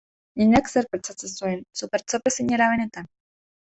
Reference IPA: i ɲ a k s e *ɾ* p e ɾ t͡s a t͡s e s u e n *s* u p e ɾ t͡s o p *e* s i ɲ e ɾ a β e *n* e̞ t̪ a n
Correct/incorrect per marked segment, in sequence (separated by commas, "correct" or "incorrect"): correct, correct, correct, correct